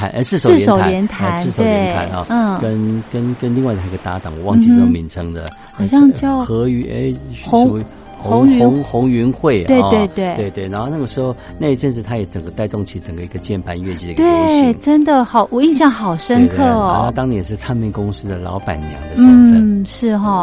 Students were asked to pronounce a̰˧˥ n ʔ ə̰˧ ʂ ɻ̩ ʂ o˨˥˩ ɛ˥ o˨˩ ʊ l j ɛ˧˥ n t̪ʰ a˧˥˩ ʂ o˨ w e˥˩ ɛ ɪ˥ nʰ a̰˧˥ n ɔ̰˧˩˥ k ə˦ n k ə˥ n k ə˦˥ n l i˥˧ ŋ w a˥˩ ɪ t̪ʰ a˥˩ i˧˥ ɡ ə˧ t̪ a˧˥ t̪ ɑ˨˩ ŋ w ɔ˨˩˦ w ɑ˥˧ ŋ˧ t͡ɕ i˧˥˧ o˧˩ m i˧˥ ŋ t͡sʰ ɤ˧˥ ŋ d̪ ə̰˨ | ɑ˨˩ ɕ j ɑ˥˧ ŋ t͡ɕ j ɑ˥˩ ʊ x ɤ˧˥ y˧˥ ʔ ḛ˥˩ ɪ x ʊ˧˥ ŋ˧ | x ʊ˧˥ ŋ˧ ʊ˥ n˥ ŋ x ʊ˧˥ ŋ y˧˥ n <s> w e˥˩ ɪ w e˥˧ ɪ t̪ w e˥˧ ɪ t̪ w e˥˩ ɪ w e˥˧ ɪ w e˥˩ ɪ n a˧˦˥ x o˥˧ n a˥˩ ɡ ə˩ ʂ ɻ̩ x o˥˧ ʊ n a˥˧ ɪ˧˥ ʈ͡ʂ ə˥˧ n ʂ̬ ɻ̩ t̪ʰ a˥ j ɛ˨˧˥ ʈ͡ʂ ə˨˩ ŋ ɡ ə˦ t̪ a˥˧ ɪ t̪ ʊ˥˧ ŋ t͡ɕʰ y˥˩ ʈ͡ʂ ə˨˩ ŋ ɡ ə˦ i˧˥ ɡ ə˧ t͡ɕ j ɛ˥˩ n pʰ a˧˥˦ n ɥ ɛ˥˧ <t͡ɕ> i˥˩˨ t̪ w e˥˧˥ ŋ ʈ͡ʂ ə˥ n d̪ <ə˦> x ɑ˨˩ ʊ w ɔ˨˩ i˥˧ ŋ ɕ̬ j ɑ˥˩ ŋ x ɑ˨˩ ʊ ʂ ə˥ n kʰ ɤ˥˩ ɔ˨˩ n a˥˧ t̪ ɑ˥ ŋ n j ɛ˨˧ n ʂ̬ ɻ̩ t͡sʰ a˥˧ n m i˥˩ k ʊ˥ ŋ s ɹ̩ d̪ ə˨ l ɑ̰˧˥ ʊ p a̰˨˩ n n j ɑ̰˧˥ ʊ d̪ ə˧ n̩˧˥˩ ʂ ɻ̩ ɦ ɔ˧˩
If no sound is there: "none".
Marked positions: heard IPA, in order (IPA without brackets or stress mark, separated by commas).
x, t͡ɕ, ə˨